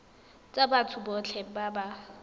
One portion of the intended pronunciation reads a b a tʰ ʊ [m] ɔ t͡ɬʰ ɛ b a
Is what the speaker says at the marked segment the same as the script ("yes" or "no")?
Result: no